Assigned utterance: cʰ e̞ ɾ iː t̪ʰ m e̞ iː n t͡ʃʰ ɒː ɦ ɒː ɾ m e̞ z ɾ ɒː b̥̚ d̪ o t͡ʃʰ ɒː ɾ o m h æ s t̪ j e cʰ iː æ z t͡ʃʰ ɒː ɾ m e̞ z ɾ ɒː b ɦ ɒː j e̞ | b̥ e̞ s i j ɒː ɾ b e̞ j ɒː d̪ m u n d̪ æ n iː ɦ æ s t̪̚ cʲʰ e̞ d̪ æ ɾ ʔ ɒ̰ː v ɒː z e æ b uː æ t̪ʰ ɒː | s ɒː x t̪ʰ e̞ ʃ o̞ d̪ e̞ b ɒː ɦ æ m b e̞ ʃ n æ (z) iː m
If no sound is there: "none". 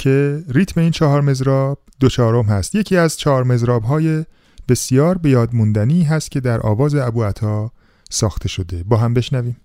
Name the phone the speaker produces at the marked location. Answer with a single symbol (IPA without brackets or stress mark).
v